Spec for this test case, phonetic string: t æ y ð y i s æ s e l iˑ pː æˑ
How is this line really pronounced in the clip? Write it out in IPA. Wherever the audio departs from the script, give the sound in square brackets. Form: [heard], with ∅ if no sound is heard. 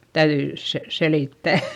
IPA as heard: t æ y ð y i s [e] s e l iˑ [tː] æˑ